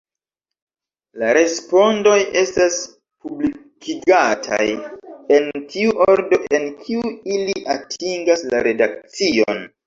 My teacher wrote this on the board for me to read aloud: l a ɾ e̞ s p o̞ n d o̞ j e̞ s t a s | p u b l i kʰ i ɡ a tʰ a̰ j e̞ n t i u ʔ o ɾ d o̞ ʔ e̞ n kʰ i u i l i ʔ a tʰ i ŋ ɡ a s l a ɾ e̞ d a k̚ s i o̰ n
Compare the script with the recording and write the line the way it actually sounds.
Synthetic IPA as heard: l a ɾ e̞ s p o̞ n d o̞ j e̞ s t a s | p u b l i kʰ i ɡ a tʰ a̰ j e̞ n t i u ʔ o ɾ d o̞ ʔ e̞ n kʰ i u i l i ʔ a tʰ i ŋ ɡ a s l a ɾ e̞ d a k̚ t͡s i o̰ n